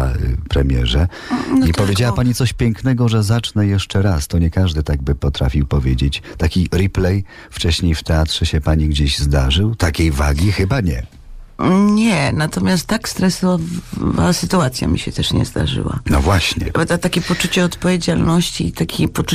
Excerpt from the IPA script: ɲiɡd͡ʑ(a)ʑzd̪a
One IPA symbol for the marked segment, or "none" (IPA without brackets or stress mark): e